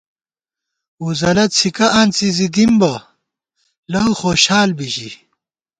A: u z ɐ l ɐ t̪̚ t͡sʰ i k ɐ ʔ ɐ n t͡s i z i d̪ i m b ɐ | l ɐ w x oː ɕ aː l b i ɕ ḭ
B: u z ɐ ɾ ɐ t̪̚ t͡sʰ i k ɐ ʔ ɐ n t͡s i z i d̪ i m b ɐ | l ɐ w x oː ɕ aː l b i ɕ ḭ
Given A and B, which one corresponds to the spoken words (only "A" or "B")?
A